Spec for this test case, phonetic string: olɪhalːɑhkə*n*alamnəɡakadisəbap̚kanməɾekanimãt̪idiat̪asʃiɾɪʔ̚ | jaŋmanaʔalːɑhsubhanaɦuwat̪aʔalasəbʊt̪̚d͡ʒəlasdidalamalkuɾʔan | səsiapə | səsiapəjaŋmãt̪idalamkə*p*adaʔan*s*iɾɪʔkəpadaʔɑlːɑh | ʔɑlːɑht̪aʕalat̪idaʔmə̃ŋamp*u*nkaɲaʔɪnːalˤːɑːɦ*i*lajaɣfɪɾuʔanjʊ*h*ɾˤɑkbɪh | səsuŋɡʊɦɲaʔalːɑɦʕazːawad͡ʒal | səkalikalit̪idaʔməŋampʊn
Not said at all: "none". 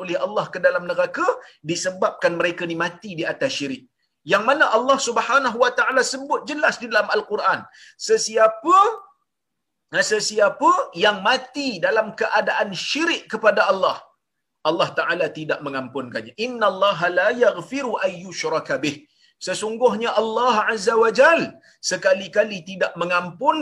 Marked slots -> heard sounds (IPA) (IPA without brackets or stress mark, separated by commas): d, ʔ, ʃ, ʊ, a, ʃ